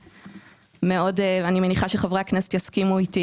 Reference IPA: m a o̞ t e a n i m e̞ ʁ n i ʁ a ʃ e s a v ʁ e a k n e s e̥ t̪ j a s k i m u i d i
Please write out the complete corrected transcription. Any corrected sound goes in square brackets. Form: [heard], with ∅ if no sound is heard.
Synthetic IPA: m [e] o̞ [d] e a n i m e̞ [∅] n i [χ] a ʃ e [χ] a v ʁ e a k n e s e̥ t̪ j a s k i m u i [t] i